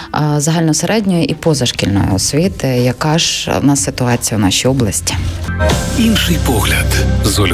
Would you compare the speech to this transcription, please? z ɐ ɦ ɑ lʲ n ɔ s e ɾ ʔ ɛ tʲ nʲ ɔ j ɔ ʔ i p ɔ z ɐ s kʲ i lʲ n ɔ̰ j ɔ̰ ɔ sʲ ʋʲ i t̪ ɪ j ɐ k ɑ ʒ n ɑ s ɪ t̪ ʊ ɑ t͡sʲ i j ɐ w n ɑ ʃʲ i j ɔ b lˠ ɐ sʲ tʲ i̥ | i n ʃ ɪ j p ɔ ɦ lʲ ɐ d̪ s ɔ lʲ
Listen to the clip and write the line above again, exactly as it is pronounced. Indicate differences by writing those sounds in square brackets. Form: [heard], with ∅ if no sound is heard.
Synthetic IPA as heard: z ɐ ɦ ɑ lʲ n ɔ s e ɾ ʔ ɛ [dʲ] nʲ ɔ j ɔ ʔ i p ɔ z ɐ [ʃ] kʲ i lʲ n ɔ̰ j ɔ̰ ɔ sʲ ʋʲ i t̪ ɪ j ɐ k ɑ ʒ n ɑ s ɪ t̪ ʊ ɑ t͡sʲ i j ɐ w n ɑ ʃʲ i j ɔ b lˠ ɐ sʲ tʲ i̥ | i n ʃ ɪ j p ɔ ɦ lʲ ɐ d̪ [z] ɔ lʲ